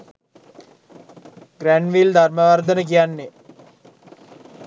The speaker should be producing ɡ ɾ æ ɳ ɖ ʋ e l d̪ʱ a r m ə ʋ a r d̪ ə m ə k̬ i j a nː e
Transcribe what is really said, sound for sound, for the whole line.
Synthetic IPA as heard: ɡ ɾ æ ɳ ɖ ʋ i l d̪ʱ a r m ə ʋ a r d̪ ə n ə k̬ i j a nː e